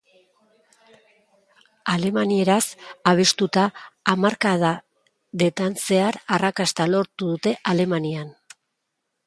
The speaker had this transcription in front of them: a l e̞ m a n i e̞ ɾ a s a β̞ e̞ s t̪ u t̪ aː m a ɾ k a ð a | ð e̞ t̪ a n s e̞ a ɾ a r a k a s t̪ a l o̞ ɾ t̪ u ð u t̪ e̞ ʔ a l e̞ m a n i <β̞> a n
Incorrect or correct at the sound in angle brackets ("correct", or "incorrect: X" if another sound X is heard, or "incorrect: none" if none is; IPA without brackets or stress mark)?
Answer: incorrect: none